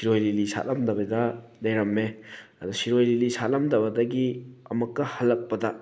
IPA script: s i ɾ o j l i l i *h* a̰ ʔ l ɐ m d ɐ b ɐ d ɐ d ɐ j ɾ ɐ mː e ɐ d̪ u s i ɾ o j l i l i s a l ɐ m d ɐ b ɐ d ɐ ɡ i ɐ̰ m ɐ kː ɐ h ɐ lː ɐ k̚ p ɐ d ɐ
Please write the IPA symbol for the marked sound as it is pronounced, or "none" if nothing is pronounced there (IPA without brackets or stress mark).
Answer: s